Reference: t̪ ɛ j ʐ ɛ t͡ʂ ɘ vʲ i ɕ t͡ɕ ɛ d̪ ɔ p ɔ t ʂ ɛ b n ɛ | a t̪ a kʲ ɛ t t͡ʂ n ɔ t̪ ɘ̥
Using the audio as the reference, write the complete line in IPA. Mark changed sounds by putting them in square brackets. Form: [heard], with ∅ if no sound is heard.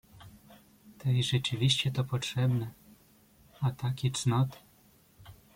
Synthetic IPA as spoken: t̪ ɛ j ʐ ɛ t͡ʂ ɘ vʲ i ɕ t͡ɕ ɛ [t̪] ɔ p ɔ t ʂ ɛ b n ɛ | a t̪ a kʲ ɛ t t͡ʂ n ɔ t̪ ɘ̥